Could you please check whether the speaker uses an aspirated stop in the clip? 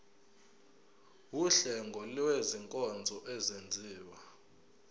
no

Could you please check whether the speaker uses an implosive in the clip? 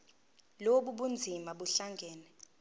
yes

